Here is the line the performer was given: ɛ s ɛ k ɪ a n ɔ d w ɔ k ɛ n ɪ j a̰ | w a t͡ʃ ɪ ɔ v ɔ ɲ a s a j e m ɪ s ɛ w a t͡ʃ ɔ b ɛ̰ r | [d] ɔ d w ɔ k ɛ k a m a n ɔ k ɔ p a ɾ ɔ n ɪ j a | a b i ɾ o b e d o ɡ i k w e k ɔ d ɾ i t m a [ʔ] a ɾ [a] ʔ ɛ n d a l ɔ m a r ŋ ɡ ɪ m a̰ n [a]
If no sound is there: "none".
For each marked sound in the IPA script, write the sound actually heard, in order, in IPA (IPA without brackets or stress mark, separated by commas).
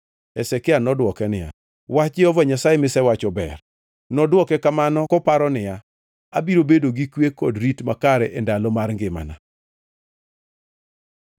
n, k, ɛ, a